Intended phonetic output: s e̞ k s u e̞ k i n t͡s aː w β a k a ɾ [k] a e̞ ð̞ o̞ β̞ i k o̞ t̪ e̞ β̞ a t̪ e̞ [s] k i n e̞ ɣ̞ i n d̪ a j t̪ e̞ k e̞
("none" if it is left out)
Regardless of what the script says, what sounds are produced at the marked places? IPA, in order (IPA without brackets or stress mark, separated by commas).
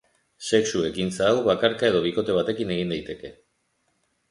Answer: k, none